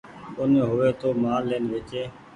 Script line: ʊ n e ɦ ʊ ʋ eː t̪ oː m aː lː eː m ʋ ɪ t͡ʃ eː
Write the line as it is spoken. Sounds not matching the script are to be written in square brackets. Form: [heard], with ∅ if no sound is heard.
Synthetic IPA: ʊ n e ɦ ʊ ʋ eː t̪ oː m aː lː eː [n] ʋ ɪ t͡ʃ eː